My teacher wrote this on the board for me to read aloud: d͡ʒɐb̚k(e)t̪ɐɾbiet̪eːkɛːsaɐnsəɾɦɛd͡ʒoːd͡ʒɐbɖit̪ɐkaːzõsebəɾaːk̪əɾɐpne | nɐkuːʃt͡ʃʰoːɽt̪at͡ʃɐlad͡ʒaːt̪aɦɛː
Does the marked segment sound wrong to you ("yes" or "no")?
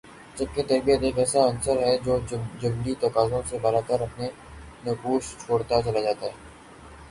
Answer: no